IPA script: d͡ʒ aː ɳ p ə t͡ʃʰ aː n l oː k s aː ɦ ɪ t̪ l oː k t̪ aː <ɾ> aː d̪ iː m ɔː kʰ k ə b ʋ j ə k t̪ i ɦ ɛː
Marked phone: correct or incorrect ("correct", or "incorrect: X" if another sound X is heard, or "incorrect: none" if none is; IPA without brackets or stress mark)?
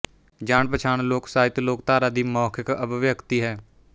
correct